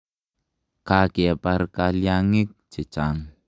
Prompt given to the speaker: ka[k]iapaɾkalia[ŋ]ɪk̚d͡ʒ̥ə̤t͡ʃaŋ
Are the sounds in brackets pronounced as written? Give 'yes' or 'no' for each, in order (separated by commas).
yes, yes